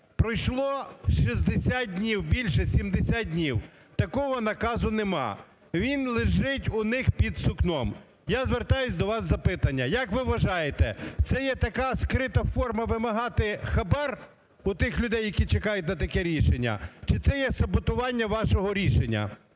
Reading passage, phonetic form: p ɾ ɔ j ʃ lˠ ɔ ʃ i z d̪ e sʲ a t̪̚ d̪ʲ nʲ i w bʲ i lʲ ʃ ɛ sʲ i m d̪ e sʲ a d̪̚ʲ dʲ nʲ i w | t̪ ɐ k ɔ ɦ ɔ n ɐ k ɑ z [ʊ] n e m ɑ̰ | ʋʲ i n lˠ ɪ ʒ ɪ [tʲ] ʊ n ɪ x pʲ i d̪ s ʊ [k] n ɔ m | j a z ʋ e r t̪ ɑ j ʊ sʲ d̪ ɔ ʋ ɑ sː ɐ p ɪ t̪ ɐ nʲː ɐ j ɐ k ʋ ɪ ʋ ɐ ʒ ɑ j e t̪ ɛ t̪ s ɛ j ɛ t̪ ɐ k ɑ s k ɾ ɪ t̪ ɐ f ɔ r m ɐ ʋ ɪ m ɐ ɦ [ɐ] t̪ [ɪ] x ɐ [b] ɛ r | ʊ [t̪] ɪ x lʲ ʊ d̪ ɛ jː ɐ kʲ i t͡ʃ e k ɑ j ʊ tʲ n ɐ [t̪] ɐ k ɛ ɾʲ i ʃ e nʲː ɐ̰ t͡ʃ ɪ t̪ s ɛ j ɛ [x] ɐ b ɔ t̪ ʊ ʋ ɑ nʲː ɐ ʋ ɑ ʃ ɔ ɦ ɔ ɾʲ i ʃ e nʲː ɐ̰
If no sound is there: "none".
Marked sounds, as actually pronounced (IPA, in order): ʊ, tʲ, k, ɑ, ɪ, b, t̪, t̪, s

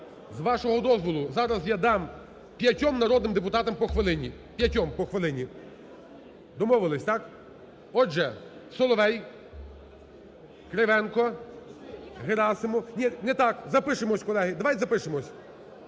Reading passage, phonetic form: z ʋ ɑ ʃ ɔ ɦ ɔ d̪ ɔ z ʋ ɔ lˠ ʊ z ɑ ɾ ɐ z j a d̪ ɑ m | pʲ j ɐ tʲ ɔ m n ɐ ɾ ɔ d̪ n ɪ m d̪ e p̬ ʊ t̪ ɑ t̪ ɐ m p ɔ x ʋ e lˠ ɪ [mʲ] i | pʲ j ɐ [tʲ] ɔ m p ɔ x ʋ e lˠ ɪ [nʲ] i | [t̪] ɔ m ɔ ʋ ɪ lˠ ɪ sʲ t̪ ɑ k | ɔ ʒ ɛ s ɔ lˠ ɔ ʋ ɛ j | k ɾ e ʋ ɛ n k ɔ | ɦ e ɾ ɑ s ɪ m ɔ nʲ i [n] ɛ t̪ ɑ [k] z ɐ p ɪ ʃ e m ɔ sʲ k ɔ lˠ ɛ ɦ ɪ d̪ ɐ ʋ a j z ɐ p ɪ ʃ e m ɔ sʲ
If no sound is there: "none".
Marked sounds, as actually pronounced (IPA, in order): nʲ, tʲ, nʲ, d̪, n, k

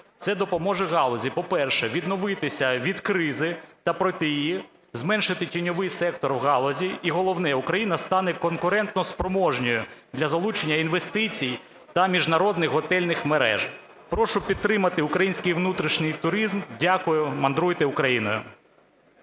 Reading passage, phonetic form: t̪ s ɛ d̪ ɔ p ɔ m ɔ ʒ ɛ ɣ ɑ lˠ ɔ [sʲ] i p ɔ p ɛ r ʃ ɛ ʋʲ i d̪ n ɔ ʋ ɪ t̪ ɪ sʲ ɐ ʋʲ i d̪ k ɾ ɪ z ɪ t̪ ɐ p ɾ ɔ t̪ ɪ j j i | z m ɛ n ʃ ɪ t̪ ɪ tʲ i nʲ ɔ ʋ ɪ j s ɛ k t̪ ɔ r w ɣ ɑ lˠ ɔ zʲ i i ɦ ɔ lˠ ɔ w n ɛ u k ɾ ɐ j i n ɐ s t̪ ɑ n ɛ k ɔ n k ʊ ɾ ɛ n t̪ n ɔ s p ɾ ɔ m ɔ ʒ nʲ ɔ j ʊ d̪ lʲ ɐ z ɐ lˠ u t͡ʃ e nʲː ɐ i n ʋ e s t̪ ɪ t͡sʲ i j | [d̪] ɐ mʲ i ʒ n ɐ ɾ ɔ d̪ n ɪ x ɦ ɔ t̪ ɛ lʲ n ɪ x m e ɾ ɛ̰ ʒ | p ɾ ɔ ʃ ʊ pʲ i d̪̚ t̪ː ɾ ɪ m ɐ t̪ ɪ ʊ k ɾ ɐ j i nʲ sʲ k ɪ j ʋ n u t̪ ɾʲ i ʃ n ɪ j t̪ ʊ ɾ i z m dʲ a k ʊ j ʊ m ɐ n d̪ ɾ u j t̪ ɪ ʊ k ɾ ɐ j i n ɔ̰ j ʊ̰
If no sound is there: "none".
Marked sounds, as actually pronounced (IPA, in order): zʲ, t̪

